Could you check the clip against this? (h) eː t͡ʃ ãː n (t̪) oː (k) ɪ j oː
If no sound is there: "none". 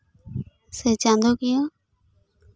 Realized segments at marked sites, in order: s, d̪, k

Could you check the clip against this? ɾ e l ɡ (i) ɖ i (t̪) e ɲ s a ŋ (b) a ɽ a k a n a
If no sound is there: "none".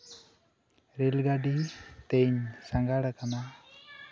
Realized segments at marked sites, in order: a, t̪, ɡ

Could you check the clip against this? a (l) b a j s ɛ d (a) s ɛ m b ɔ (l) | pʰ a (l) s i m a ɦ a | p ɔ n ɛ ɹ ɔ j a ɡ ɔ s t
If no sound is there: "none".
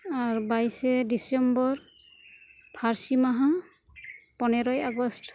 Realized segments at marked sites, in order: ɹ, i, ɹ, ɹ

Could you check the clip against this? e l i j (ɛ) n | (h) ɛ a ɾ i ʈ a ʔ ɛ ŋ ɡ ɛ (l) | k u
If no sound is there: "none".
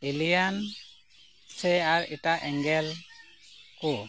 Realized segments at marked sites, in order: a, s, l

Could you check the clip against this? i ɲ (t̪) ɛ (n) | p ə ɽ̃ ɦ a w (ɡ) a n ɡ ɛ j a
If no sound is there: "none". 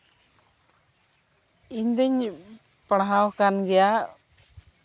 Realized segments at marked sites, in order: d̪, ɲ, k

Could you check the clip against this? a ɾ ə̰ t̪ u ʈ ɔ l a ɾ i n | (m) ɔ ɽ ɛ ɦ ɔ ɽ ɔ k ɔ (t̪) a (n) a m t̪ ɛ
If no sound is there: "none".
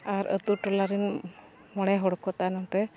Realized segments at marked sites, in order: m, t̪, n

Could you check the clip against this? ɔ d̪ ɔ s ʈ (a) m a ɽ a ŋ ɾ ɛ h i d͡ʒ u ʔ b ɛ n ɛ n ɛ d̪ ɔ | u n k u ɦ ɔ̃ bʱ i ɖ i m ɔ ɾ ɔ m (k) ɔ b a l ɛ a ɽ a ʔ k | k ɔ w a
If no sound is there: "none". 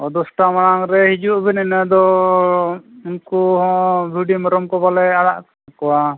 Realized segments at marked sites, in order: a, k

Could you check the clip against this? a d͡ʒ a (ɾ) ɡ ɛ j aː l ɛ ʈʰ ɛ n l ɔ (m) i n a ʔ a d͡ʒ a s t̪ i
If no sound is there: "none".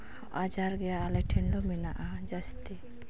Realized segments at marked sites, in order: ɾ, m

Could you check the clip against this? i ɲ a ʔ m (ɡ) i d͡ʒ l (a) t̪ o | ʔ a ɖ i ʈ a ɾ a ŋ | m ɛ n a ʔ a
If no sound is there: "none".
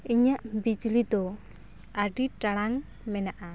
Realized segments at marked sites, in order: b, i

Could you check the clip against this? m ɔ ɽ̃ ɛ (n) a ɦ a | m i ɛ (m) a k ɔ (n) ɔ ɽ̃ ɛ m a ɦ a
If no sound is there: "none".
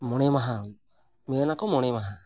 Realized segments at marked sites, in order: m, n, m

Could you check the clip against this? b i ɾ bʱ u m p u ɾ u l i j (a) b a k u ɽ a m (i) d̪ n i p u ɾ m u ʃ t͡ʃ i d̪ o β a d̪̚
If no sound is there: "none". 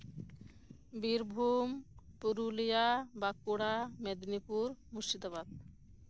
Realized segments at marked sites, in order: a, e

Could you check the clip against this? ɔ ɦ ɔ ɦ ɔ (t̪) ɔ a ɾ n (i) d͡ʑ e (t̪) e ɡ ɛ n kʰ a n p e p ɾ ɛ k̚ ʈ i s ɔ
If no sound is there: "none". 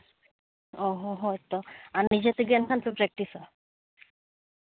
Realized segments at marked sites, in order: t̪, i, t̪

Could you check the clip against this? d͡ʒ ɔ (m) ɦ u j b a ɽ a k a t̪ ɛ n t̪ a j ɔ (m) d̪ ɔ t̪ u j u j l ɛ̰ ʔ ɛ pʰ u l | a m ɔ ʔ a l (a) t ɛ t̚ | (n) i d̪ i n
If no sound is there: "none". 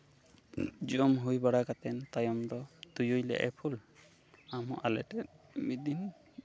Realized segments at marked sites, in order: m, m, ɛ, m

